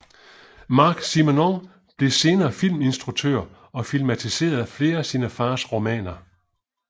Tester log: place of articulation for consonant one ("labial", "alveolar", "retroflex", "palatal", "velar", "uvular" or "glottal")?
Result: labial